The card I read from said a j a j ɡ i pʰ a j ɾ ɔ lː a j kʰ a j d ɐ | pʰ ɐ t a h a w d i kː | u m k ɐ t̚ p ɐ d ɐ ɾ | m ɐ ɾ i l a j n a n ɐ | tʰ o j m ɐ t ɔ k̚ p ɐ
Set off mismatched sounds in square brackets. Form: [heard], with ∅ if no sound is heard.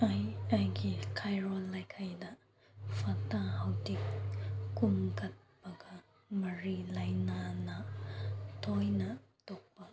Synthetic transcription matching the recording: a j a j ɡ i [kʰ] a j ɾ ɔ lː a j kʰ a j d ɐ | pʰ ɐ t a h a w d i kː | u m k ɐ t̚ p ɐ [ɡ] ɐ [∅] | m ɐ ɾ i l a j n a n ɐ | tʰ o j [n] ɐ t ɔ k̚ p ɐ